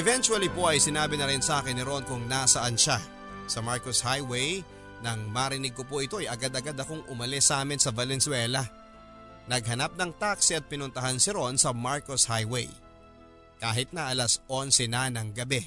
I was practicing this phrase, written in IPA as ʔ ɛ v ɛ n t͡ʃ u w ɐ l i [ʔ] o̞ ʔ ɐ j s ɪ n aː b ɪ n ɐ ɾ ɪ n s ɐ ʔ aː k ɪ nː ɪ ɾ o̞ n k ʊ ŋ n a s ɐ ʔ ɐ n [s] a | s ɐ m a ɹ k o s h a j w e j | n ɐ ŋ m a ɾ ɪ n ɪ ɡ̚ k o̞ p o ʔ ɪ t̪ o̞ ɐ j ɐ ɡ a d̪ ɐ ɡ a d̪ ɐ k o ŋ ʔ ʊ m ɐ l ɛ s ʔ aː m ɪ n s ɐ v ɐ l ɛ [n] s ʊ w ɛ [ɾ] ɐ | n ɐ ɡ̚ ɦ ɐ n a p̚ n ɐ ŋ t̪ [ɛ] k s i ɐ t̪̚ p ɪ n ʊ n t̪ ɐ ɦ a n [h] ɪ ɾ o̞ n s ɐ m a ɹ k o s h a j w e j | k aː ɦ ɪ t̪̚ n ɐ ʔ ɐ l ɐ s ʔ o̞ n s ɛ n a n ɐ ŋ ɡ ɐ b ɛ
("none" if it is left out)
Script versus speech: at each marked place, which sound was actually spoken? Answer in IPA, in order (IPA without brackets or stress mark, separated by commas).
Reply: p, ʃ, n, l, a, s